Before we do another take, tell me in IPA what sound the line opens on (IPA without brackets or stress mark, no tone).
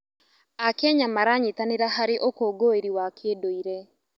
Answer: a